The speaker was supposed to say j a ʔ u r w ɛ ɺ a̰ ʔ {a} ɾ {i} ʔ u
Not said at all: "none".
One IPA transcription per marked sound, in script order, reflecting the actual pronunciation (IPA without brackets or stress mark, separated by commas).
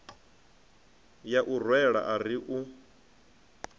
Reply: a, i